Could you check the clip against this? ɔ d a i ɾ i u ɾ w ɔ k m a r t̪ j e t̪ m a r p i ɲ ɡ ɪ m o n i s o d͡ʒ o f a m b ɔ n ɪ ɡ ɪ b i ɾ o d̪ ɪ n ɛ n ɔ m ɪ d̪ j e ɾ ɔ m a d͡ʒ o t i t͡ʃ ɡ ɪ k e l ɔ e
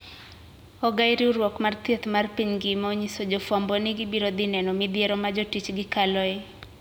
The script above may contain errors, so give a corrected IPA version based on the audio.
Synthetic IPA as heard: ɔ ɡ a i ɾ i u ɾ w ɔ k m a r t̪ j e t̪ m a r p i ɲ ɡ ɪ m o ɲ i s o d͡ʒ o f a m b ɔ n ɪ ɡ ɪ b i ɾ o d̪ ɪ n ɛ n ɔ m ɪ d̪ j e ɾ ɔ m a d͡ʒ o t i t͡ʃ ɡ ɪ k a l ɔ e